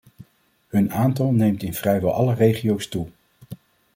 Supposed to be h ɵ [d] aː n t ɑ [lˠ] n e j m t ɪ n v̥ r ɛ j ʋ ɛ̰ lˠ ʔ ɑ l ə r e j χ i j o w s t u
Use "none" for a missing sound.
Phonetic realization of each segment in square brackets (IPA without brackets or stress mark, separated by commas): n, lˠ